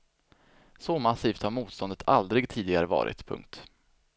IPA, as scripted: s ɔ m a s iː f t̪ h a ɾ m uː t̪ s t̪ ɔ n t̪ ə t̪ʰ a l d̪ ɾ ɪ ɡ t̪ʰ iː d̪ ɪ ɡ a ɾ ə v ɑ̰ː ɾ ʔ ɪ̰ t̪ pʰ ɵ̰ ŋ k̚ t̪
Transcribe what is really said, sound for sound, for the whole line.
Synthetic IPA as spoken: s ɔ m a s iː f t̪ h a ɾ m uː t̪ s t̪ ɔ n d̪ ə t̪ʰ a l d̪ ɾ ɪ ɡ t̪ʰ iː d̪ ɪ ɡ a ɾ ə v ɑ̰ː ɾ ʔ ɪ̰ t̪ pʰ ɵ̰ ŋ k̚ t̪